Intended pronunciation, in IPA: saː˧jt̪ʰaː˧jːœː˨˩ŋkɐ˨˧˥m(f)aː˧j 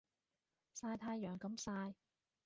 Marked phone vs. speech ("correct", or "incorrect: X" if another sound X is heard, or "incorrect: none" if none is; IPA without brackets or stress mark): incorrect: s